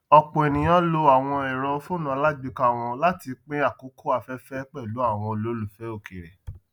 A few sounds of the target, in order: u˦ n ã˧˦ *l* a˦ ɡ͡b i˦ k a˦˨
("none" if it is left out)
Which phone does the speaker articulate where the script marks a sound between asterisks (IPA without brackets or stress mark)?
l